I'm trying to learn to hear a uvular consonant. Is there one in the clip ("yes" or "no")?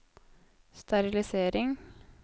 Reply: no